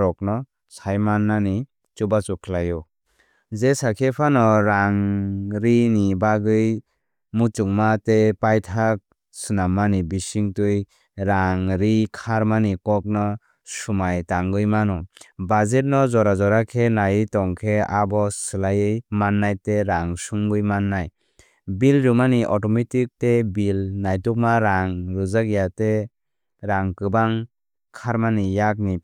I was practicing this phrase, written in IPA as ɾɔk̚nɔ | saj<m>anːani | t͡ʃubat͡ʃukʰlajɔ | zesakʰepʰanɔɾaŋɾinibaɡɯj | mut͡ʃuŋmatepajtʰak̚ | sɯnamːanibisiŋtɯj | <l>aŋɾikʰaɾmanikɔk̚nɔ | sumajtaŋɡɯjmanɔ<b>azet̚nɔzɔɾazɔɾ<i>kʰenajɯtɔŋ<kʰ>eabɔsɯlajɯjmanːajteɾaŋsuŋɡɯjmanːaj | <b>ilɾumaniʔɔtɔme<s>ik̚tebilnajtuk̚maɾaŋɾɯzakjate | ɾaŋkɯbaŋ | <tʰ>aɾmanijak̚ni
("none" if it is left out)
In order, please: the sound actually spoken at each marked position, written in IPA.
m, ɾ, b, a, kʰ, b, t, kʰ

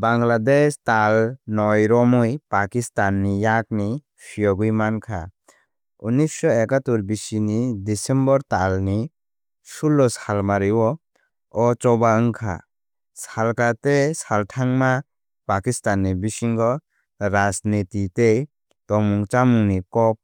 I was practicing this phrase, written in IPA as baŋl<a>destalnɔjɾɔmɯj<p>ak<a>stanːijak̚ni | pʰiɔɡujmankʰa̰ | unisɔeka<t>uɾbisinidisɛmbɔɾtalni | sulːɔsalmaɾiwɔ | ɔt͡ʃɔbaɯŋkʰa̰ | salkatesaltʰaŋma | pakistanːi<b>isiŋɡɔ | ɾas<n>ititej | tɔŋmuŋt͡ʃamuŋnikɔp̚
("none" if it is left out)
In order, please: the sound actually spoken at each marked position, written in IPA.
a, p, i, t, b, n

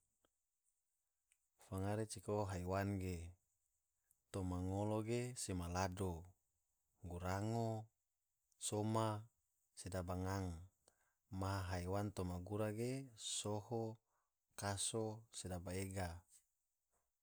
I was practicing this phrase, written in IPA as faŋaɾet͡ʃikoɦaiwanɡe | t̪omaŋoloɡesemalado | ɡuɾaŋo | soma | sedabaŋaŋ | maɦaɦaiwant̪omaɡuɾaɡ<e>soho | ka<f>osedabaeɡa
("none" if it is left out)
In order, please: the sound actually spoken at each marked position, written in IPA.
e, s

